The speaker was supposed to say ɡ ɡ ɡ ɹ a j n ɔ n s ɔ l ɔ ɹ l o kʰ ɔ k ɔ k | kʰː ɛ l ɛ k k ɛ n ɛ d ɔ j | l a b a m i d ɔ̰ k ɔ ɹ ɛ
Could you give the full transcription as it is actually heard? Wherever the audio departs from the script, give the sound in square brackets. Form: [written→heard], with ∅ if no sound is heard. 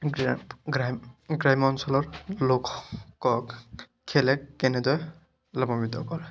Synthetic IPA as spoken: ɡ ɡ ɡ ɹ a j [n→m] ɔ n s ɔ l ɔ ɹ l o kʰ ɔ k ɔ k | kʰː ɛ l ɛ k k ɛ n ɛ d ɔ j | l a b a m i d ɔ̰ k ɔ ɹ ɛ